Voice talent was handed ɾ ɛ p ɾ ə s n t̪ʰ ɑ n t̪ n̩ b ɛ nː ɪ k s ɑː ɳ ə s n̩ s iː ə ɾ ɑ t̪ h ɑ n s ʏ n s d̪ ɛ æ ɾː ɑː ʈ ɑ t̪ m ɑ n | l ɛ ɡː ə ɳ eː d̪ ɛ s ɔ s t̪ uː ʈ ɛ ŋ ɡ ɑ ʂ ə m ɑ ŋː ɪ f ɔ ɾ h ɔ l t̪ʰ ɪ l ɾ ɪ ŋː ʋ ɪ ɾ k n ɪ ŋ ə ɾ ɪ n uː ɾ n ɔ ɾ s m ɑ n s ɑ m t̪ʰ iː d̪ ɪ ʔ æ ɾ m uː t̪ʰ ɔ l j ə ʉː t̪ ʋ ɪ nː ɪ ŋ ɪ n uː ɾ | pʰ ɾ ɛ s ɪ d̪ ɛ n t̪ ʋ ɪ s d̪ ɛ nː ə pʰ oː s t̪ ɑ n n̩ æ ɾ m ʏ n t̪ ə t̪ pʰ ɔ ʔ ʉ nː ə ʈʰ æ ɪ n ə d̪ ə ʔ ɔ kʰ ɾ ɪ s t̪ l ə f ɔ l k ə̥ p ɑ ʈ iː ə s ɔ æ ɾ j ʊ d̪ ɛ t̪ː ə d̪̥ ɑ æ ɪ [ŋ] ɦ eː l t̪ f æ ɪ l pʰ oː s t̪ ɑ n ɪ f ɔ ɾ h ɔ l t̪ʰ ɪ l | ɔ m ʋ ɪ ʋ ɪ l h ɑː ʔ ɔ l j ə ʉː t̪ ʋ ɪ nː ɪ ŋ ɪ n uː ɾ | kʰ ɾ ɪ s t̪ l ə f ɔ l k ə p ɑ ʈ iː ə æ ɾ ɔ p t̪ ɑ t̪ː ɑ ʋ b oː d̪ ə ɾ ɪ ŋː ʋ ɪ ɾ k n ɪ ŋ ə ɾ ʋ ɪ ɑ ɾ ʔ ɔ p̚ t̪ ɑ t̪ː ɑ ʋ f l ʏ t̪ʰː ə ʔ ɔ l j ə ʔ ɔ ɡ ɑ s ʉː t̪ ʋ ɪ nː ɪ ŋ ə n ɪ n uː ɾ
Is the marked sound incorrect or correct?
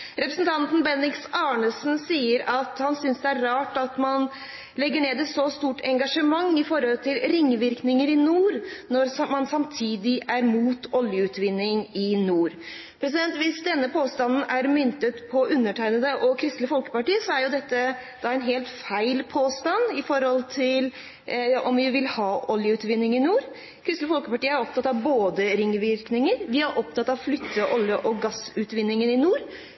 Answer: incorrect